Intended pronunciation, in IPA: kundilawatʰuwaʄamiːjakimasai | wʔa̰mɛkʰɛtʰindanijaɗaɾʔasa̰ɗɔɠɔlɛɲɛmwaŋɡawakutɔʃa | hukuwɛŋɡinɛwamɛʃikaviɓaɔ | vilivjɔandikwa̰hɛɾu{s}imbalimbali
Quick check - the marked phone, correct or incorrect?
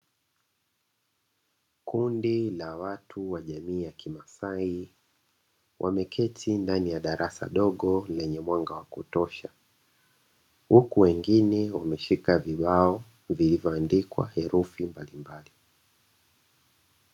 incorrect